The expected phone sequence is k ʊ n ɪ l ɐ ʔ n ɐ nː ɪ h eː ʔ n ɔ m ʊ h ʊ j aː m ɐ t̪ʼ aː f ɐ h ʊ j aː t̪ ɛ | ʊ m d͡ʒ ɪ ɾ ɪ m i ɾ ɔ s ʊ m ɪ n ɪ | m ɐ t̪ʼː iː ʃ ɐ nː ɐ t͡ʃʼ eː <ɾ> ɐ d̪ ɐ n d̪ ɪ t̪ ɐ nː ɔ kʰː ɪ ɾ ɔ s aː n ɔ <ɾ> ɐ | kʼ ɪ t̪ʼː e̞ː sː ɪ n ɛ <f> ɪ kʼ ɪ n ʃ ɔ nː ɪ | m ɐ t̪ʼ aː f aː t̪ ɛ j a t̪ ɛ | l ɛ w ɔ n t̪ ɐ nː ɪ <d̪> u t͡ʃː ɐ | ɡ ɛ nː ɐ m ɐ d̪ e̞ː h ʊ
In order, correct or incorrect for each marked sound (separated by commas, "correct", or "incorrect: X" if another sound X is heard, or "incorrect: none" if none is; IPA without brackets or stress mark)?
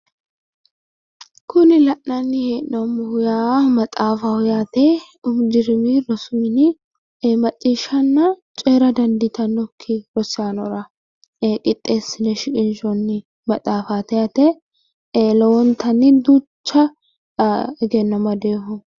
correct, correct, incorrect: ʃ, correct